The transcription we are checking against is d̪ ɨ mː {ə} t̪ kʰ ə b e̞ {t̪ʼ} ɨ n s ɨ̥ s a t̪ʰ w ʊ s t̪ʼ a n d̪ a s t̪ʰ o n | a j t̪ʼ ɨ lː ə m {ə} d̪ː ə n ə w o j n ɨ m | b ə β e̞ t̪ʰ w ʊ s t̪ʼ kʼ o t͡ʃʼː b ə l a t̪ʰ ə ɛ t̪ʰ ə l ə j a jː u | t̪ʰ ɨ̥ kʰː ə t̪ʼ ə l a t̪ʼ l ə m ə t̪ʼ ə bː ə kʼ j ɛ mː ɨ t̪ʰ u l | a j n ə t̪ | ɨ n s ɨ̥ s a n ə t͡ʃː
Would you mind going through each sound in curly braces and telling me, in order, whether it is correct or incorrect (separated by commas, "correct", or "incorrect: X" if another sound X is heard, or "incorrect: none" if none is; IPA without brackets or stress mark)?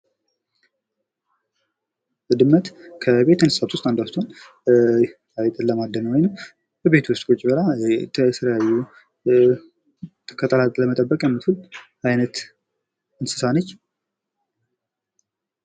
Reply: correct, incorrect: t̪, incorrect: a